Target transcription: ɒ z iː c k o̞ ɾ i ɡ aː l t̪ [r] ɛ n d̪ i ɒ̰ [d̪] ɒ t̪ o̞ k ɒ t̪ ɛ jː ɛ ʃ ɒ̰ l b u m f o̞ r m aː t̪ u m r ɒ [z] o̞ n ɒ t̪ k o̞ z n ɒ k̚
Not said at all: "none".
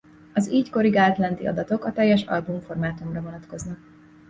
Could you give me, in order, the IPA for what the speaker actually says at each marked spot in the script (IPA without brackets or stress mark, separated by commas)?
l, d̪, v